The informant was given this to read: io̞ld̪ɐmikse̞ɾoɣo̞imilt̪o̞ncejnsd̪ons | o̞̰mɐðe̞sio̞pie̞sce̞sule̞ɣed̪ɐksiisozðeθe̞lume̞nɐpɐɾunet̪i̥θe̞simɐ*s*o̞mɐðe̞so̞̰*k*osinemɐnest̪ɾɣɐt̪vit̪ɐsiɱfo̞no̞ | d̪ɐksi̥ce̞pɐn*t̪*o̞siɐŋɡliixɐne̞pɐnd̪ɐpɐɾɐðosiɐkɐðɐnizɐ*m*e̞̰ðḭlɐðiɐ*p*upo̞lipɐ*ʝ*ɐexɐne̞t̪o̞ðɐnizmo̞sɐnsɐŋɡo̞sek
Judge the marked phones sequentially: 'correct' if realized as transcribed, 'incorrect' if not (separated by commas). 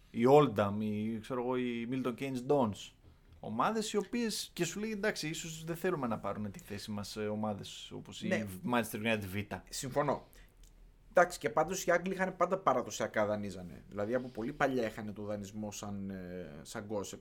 correct, incorrect, incorrect, incorrect, correct, incorrect